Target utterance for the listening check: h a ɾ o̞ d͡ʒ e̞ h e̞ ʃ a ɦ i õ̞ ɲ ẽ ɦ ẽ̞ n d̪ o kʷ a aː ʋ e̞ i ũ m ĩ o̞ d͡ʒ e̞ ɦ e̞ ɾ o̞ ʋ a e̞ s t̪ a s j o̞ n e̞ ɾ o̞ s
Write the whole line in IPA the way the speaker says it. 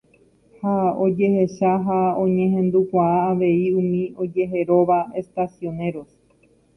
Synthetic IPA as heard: h a o̞ d͡ʒ e̞ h e̞ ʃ a ɦ a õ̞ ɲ ẽ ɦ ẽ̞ n d̪ u kʷ a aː ʋ e̞ i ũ m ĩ o̞ d͡ʒ e̞ ɦ e̞ ɾ o̞ ʋ a e̞ s t̪ a s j o̞ n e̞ ɾ o̞ s